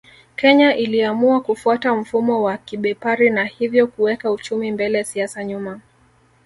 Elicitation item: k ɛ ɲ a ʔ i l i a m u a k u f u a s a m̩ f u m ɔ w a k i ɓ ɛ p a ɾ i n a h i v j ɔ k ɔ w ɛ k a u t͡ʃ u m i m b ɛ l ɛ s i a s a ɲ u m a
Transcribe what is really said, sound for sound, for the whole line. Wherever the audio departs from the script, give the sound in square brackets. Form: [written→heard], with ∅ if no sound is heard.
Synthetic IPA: k ɛ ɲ a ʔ i l i a m u a k u f u a [s→t] a m̩ f u m ɔ w a k i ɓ ɛ p a ɾ i n a h i v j ɔ k [ɔ→u] w ɛ k a u t͡ʃ u m i m b ɛ l ɛ s i a s a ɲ u m a

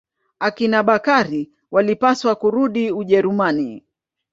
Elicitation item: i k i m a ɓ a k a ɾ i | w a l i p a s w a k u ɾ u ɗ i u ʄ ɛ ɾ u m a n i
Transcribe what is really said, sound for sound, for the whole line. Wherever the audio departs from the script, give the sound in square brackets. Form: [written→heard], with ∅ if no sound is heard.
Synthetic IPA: [i→a] k i [m→n] a ɓ a k a ɾ i | w a l i p a s w a k u ɾ u ɗ i u ʄ ɛ ɾ u m a n i

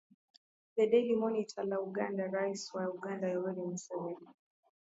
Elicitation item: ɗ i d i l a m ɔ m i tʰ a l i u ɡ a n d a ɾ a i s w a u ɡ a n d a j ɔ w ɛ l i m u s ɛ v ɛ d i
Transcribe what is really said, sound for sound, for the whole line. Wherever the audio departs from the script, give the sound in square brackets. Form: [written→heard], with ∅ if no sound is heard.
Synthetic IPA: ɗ [i→ɛ] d [i→ɛ] l [a→i] m ɔ [m→n] i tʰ a l [i→a] u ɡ a n d a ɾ a i s w a u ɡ a n d a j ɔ w ɛ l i m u s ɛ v ɛ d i

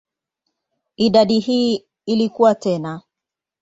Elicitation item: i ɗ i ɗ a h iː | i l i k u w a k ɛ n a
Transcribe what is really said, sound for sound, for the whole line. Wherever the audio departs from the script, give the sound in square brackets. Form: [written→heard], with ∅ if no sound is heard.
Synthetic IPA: i ɗ [i→a] ɗ [a→i] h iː | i l i k u w a [k→t] ɛ n a

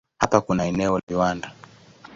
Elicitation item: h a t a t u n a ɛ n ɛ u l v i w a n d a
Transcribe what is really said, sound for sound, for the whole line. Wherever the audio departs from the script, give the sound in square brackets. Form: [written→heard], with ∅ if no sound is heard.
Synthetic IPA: h a [t→p] a [t→k] u n a ɛ n ɛ [u→ɔ] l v i w a n d a

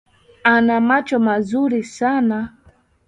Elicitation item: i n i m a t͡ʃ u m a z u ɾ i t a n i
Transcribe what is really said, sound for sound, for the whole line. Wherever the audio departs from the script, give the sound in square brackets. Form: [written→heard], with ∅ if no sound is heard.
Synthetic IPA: [i→a] n [i→a] m a t͡ʃ [u→ɔ] m a z u ɾ i [t→s] a n [i→a]

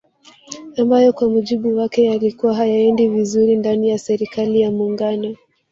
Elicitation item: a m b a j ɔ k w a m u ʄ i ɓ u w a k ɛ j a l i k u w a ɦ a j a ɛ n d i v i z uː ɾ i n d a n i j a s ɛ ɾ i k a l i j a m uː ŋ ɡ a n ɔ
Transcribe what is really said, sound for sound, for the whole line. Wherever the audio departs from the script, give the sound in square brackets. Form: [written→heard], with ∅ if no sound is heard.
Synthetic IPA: a m b a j ɔ k w a m u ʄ i ɓ u w a k ɛ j a l i k u w a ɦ a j a ɛ n d i v i z [uː→u] ɾ i n d a n i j a s ɛ ɾ i k a l i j a m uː ŋ ɡ a n ɔ

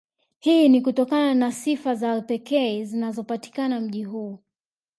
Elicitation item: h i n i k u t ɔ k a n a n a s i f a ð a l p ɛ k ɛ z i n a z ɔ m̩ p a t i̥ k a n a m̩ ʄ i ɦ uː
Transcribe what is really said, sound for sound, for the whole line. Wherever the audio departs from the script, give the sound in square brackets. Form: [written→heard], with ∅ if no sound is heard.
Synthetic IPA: h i n i k u t ɔ k a n a n a s i f a [ð→z] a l p ɛ k ɛ z i n a z ɔ [m̩→∅] p a t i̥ k a n a m̩ ʄ i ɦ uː

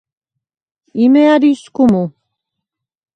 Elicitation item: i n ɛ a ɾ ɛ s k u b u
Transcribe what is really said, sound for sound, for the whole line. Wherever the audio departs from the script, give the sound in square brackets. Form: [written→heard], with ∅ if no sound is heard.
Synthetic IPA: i [n→m] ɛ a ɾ [ɛ→i] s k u [b→m] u

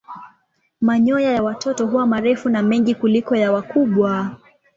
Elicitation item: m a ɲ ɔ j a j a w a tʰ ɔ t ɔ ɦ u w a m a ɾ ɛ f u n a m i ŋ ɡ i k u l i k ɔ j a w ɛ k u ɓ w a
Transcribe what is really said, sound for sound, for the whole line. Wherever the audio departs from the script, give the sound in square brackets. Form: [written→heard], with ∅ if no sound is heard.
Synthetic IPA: m a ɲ ɔ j a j a w a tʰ ɔ t ɔ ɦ u w a m a ɾ ɛ f u n a m [i→ɛ] ŋ ɡ i k u l i k ɔ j a w [ɛ→a] k u ɓ w a

